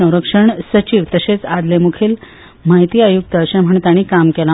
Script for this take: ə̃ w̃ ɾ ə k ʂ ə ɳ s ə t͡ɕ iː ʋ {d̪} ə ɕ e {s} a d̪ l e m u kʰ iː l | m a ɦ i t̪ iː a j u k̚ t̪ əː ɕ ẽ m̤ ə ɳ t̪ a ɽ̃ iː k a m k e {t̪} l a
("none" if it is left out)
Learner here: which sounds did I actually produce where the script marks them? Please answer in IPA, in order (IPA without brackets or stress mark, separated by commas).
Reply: t̪, t͡s, none